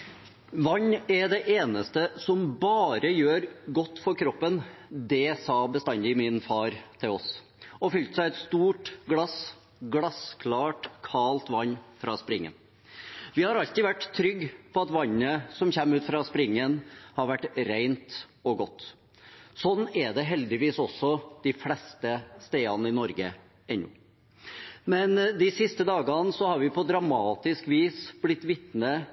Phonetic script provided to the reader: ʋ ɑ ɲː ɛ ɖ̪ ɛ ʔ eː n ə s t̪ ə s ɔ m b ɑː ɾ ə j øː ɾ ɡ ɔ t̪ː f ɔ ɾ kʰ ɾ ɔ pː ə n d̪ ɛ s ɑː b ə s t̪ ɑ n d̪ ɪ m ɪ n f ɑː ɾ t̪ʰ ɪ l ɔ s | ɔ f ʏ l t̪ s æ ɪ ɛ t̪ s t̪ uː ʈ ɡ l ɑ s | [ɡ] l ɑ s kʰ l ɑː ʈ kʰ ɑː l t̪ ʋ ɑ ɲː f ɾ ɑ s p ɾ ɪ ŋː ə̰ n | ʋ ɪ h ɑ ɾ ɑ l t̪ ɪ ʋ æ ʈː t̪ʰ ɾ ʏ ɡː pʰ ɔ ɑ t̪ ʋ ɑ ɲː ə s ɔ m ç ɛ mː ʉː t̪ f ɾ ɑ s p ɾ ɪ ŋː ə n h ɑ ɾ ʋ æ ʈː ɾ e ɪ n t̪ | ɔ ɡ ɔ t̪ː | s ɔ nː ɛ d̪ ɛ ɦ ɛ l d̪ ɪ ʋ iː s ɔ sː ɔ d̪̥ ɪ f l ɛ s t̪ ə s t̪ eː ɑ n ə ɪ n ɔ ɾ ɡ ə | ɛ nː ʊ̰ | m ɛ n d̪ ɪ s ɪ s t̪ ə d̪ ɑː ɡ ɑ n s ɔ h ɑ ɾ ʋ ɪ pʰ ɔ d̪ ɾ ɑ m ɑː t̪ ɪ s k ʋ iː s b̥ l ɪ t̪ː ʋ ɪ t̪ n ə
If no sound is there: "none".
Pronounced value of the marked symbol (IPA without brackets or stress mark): ɡ